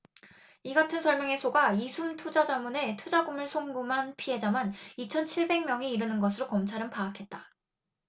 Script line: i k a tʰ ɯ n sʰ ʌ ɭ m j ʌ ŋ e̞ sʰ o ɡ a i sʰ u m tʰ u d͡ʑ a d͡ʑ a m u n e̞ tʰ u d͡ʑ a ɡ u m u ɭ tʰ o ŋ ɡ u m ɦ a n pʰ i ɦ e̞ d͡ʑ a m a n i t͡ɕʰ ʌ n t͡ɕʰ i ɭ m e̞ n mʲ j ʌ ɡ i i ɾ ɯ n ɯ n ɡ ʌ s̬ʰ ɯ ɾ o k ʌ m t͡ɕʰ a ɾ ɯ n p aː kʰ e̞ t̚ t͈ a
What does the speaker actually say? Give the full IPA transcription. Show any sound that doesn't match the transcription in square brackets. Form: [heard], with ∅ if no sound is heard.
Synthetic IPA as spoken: i [ɡ] a tʰ ɯ n sʰ ʌ ɭ m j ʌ ŋ e̞ sʰ o ɡ a i sʰ u m tʰ u d͡ʑ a d͡ʑ a m u n e̞ tʰ u d͡ʑ a ɡ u m [ɯ] ɭ [sʰ] o ŋ ɡ u m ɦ a n pʰ i ɦ e̞ d͡ʑ a m a n i t͡ɕʰ ʌ n t͡ɕʰ i ɭ [b] e̞ [ŋ] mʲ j ʌ [ŋ] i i ɾ ɯ n ɯ n ɡ ʌ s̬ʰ ɯ ɾ o k ʌ m t͡ɕʰ a ɾ ɯ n p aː kʰ e̞ t̚ t͈ a